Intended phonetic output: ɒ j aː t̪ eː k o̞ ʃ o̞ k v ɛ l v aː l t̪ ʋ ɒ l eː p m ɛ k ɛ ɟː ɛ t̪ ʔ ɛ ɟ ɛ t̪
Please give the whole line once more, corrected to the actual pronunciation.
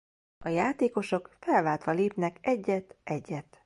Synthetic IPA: ɒ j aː t̪ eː k o̞ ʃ o̞ k f ɛ l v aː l t̪ ʋ ɒ l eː p n ɛ k ɛ ɟː ɛ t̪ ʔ ɛ ɟː ɛ t̪